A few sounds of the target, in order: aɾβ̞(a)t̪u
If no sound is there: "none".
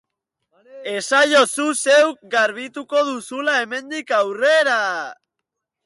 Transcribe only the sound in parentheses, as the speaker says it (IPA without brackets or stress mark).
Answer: i